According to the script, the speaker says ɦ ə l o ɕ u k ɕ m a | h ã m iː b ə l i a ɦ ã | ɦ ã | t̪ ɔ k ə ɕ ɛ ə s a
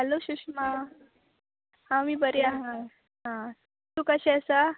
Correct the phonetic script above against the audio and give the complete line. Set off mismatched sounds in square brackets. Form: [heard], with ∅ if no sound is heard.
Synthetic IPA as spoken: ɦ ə l o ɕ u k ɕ m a | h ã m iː b ə [ɾ] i a ɦ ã | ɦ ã | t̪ [u] k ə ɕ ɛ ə s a